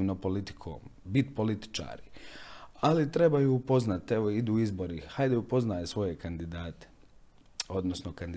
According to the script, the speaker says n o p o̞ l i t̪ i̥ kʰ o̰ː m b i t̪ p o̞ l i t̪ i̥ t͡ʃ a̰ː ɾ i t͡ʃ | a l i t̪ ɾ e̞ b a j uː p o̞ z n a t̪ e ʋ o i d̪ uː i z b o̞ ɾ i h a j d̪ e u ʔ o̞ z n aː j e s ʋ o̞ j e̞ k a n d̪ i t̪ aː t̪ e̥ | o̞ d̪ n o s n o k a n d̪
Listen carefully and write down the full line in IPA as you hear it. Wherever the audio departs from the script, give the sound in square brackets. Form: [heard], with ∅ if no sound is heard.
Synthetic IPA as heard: n o p o̞ l i t̪ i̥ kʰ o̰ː m b i t̪ p o̞ l i t̪ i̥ t͡ʃ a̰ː ɾ i [∅] | a l i t̪ ɾ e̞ b a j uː p o̞ z n a t̪ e ʋ o i d̪ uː i z b o̞ ɾ i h a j d̪ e u [p] o̞ z n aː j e s ʋ o̞ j e̞ k a n d̪ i [d̪] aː t̪ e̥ | o̞ d̪ n o s n o k a n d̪